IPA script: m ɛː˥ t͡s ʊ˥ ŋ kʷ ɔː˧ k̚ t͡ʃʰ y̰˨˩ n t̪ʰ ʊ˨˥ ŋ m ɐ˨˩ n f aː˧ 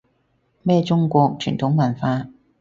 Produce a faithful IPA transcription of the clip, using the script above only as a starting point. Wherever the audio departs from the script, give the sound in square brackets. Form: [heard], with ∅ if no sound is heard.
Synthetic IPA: m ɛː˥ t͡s ʊ˥ ŋ kʷ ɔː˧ k̚ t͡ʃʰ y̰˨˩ n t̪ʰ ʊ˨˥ ŋ m ɐ˨˩ n f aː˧